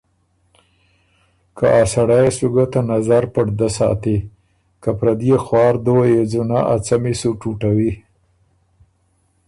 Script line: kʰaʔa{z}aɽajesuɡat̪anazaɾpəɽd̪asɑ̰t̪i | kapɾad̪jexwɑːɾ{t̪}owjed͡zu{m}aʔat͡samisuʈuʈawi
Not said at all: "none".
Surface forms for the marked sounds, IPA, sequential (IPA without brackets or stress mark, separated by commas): s, d̪, n